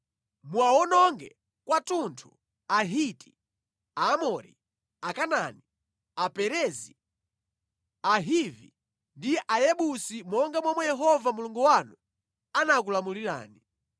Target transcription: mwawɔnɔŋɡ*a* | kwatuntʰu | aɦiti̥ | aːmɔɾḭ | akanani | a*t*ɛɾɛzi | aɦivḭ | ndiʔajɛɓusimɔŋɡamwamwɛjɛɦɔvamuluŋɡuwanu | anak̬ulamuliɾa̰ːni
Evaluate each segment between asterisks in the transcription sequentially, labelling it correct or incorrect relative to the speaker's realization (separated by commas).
incorrect, incorrect